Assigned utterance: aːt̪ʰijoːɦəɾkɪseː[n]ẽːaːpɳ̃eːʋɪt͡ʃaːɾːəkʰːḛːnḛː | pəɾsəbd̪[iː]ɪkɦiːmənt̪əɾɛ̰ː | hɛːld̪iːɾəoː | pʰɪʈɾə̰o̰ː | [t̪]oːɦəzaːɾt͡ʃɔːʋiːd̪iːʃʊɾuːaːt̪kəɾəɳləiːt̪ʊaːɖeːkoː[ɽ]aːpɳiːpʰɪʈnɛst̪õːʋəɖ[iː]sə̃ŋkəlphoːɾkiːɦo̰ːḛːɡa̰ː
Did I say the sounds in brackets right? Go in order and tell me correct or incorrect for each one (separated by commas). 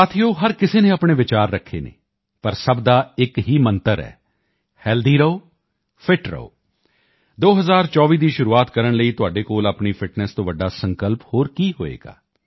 correct, incorrect, incorrect, incorrect, incorrect